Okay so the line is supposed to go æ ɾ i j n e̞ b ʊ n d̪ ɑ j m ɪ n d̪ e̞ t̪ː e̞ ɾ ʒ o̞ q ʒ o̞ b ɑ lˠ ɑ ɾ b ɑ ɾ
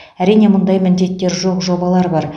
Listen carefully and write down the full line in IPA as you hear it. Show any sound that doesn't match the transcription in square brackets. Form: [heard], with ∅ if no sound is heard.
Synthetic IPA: æ ɾ i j n e̞ [m] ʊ n d̪ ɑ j m ɪ n d̪ e̞ t̪ː e̞ ɾ ʒ o̞ q ʒ o̞ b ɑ lˠ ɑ ɾ b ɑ ɾ